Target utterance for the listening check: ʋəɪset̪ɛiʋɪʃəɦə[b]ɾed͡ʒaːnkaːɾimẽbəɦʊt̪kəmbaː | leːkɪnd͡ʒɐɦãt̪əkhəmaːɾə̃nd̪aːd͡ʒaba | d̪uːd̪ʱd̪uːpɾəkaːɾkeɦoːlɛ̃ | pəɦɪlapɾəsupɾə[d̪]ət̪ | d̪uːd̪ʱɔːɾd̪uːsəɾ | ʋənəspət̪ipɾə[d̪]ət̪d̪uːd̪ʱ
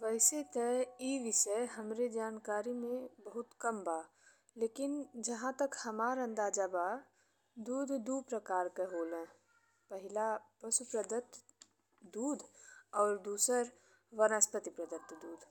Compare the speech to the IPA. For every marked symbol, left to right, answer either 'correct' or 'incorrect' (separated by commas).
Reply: incorrect, correct, correct